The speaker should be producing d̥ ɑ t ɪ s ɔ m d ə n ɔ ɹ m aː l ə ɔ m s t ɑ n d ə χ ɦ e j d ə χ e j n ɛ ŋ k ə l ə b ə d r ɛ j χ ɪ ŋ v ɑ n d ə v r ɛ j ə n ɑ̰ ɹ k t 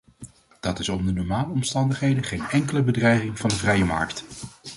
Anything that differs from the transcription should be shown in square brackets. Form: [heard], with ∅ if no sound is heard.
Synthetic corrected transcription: d̥ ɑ t ɪ s ɔ m d ə n ɔ ɹ m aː l ə ɔ m s t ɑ n d ə χ ɦ e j d ə χ e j n ɛ ŋ k ə l ə b ə d r ɛ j χ ɪ ŋ v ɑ n d ə v r ɛ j ə [m] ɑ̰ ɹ k t

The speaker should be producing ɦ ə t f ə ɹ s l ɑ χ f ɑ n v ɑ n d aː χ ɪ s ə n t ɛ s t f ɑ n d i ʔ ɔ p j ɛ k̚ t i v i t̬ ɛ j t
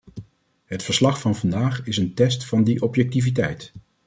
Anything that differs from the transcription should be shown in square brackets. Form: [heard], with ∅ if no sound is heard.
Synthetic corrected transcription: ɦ ə t f ə ɹ s l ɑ χ f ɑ n v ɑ n d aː χ ɪ s ə n t ɛ s t f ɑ n d i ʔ ɔ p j ɛ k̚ t i v i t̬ ɛ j t

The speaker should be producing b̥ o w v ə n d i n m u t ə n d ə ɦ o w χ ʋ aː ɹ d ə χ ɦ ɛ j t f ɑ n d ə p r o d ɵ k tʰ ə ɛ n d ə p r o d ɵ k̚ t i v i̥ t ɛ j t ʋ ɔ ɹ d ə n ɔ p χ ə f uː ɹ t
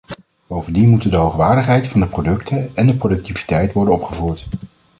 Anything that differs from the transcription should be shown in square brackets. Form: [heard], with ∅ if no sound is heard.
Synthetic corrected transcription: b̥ o w v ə n d i n m u t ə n d ə ɦ o w χ ʋ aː ɹ d ə χ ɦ ɛ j t f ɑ n d ə p r o d ɵ k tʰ ə ɛ n d ə p r o d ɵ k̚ t i v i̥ t ɛ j t ʋ ɔ ɹ d ə n ɔ p χ ə [v] uː ɹ t

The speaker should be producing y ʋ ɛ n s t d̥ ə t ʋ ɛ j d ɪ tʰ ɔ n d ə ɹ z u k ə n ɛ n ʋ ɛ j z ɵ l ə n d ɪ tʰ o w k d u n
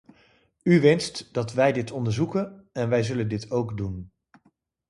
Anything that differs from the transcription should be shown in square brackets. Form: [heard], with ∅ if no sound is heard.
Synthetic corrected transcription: y ʋ ɛ n s t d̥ [ɑ] t ʋ ɛ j d ɪ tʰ ɔ n d ə ɹ z u k ə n ɛ n ʋ ɛ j z ɵ l ə n d ɪ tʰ o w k d u n

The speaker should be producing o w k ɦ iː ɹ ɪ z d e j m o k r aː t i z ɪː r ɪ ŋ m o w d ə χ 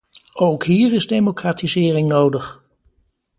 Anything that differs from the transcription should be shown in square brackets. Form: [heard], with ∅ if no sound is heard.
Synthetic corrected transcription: o w k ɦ iː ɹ ɪ z d e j m o k r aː t i z ɪː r ɪ ŋ [n] o w d ə χ

